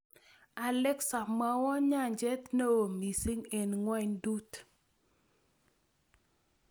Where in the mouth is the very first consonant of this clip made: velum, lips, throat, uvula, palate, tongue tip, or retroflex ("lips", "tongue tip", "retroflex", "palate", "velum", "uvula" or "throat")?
tongue tip